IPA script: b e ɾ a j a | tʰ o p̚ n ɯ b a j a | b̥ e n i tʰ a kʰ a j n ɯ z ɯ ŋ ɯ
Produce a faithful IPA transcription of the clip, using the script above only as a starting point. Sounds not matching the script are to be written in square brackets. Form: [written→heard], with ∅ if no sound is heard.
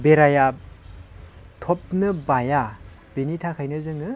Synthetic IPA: b e ɾ a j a | tʰ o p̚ n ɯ b a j a | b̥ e n i tʰ a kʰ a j n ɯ z ɯ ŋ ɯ